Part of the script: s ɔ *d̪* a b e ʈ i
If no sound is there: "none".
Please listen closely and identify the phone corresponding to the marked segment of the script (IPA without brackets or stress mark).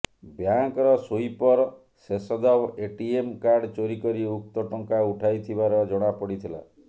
d̪